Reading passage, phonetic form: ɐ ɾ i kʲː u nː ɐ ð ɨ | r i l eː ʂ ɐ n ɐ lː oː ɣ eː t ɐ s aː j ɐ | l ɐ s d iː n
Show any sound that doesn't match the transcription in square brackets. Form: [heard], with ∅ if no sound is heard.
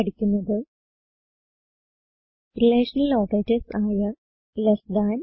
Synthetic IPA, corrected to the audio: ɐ [ɽ] i kʲː u nː ɐ ð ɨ | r i l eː ʂ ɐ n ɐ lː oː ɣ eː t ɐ s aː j ɐ | l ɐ s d [aː] n